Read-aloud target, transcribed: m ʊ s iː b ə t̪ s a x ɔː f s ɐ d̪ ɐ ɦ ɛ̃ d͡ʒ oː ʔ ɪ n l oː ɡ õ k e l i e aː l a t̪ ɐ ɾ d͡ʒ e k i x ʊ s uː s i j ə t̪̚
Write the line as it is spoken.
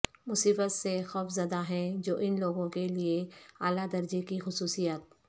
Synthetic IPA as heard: m ʊ s iː b ə t̪ s e x ɔː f z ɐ d̪ a ɦ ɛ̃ d͡ʒ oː ʔ ɪ n l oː ɡ õ k e l i e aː l a d̪ ɐ ɾ d͡ʒ e k i x ʊ s uː s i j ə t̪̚